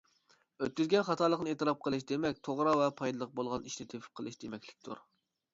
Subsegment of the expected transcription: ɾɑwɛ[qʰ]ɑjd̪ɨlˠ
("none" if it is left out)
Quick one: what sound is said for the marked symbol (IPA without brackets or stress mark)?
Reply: pʰ